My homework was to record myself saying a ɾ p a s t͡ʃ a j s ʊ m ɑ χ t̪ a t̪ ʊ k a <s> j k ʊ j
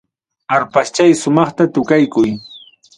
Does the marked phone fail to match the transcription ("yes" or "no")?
yes